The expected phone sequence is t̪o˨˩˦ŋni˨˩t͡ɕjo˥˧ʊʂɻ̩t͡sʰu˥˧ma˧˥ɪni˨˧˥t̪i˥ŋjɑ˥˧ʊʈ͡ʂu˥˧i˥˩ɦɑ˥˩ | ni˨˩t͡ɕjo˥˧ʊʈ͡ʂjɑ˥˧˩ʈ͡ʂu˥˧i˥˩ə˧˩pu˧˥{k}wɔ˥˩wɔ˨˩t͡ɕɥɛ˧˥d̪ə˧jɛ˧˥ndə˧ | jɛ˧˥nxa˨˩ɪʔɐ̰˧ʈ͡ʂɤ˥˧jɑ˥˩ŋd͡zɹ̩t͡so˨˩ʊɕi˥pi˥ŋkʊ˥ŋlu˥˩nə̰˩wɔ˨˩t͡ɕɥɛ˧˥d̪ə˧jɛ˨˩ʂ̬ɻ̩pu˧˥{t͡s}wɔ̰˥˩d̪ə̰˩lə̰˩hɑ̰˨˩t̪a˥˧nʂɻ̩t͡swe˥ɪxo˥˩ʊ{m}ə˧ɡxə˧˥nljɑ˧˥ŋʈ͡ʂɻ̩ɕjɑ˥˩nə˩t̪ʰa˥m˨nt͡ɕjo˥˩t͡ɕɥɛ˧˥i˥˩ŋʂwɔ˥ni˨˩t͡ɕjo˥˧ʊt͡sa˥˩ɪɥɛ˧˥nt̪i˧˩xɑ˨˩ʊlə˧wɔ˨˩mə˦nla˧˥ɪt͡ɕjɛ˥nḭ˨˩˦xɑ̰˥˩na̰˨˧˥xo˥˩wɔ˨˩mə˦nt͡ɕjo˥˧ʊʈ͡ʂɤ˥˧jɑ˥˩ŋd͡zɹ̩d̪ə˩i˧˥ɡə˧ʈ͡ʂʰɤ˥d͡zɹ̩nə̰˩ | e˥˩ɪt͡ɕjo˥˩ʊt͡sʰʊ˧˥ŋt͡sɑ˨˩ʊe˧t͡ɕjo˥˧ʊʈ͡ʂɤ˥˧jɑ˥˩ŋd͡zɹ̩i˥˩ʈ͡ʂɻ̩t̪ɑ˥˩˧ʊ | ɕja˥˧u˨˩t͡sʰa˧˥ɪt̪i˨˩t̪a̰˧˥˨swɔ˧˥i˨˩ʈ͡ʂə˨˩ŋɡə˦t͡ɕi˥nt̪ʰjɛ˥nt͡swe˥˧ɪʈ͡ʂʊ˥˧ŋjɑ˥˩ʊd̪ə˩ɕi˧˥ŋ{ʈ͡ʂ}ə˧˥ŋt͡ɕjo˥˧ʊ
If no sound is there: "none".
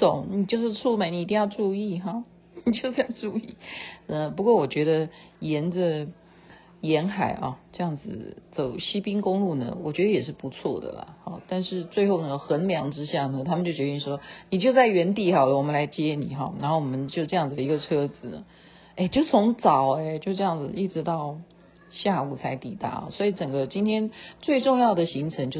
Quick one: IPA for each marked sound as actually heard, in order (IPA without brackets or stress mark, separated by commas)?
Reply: k, t͡sʰ, n, ʈ͡ʂʰ